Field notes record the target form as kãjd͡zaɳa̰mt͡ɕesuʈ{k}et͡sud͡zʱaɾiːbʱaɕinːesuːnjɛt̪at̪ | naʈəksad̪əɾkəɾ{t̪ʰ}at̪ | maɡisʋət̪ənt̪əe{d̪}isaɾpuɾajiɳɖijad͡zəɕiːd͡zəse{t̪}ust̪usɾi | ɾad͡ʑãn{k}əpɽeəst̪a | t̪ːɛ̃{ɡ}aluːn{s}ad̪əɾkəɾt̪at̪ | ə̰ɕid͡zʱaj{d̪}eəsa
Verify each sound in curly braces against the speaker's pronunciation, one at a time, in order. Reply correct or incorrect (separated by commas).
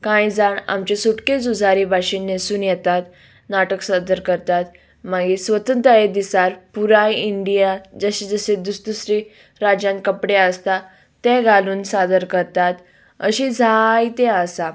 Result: correct, incorrect, correct, incorrect, correct, correct, correct, incorrect